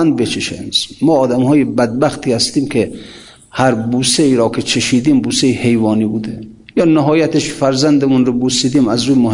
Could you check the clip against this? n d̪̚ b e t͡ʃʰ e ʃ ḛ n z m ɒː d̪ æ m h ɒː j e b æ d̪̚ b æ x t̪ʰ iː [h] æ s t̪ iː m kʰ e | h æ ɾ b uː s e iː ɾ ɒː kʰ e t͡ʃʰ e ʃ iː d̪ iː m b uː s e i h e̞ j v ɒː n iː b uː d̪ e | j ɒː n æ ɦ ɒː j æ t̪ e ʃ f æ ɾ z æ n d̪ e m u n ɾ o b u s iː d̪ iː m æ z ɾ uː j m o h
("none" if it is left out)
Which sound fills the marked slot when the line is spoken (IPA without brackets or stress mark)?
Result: h